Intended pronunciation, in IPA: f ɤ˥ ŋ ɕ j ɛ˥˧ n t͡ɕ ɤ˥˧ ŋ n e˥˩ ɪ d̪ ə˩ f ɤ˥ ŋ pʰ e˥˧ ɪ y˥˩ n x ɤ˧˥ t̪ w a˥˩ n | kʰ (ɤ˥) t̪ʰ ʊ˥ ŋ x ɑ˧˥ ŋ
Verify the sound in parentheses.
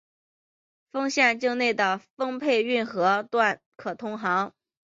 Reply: incorrect: ɤ˨˩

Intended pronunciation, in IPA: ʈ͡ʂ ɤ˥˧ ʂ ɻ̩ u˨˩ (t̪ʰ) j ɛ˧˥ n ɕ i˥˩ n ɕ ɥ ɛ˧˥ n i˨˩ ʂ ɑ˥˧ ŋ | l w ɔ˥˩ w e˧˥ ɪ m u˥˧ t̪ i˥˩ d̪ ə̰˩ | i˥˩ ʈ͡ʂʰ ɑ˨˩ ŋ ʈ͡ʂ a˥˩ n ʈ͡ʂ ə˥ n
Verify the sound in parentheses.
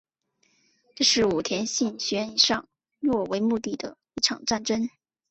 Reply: correct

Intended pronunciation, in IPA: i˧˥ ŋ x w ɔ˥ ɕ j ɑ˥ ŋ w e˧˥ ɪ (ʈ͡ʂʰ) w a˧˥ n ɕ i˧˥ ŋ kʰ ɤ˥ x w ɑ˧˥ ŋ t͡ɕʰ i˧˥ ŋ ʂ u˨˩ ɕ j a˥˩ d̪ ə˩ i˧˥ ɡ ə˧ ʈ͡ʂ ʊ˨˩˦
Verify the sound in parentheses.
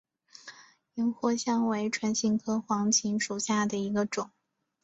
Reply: correct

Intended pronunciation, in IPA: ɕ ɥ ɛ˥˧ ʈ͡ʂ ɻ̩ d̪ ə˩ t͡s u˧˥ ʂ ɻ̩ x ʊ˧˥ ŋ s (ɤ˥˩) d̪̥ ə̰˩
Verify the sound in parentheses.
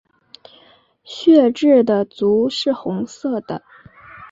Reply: correct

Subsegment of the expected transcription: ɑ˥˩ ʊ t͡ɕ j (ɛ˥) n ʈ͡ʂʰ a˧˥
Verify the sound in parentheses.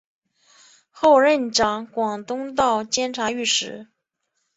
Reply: correct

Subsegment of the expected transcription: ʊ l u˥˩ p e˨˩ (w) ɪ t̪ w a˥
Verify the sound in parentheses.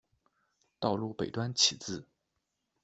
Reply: incorrect: none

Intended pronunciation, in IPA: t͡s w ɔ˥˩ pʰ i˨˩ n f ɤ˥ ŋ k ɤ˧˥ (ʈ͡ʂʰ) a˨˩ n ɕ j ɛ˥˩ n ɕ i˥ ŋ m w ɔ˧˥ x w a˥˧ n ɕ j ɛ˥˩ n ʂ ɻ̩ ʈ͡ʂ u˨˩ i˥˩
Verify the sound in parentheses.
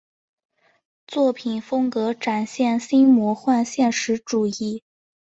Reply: incorrect: ʈ͡ʂ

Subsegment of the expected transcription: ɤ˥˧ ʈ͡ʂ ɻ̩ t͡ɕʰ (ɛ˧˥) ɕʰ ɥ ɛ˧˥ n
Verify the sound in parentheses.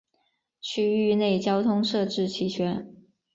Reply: incorrect: i˧˥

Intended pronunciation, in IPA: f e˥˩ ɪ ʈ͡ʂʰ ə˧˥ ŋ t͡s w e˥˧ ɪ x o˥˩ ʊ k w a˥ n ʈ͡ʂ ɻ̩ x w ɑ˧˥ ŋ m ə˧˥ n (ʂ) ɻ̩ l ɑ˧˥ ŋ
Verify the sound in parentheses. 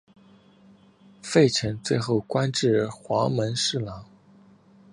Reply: correct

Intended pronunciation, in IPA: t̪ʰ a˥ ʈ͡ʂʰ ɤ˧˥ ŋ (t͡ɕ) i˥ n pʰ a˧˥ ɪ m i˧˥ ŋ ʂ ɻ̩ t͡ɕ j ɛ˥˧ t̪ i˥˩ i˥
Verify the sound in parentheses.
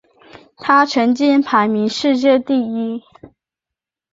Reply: correct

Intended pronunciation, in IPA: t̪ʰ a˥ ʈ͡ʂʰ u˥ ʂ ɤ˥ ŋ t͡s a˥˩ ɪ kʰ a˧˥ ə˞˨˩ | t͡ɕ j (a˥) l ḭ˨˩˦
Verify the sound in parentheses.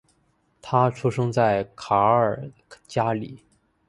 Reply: correct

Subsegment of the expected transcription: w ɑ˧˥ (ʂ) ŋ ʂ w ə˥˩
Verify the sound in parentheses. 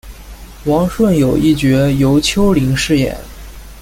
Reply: incorrect: none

